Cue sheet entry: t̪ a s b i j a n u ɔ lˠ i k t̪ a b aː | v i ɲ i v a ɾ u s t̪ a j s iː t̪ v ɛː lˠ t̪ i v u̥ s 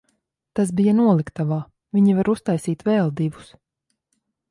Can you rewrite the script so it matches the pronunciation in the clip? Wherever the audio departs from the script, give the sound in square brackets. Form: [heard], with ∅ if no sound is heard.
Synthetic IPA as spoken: t̪ a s b i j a n u ɔ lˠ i k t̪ a [v] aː | v i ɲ i v a ɾ u s t̪ a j s iː t̪ v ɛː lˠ [d̪] i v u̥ s